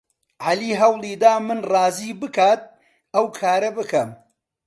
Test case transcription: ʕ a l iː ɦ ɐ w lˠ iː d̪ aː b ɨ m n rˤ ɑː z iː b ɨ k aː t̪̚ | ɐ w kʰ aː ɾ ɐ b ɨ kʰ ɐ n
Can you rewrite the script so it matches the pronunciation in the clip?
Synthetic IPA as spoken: ʕ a l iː ɦ ɐ w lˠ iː d̪ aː m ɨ n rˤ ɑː z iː b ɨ k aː t̪̚ | ɐ w kʰ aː ɾ ɐ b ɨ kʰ ɐ m